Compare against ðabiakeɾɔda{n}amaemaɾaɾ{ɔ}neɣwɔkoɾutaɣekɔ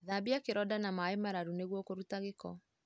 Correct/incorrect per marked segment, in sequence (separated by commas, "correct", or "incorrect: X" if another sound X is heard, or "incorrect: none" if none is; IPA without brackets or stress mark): correct, incorrect: u